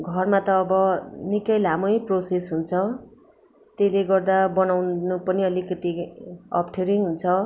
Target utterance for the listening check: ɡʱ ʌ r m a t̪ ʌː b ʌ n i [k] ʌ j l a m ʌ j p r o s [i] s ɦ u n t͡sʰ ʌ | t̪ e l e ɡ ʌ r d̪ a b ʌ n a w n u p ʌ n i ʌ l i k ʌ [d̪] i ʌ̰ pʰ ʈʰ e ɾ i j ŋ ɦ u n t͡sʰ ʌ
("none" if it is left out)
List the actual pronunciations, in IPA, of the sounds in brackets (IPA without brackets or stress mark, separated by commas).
k, e, t̪